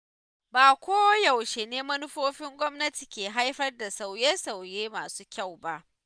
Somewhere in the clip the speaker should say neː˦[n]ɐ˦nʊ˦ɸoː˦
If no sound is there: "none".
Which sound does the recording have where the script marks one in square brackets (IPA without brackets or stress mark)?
m